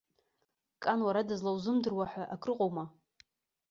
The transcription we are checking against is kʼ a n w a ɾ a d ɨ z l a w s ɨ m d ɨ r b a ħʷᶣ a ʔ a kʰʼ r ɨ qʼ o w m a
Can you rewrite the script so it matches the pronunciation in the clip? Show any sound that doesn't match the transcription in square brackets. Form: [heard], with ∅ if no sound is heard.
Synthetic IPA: kʼ a n w a ɾ a d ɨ z l a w [z] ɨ m d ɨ r [w] a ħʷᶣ a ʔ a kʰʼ r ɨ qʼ o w m a